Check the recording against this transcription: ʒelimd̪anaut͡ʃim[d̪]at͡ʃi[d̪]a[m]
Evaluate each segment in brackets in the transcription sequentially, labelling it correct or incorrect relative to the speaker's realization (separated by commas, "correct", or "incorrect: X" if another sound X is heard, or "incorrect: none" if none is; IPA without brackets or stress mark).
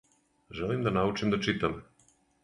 correct, incorrect: t̪, correct